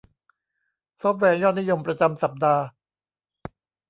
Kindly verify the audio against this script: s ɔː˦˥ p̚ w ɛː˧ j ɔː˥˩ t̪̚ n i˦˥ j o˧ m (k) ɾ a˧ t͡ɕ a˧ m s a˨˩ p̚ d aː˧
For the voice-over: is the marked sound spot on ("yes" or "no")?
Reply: no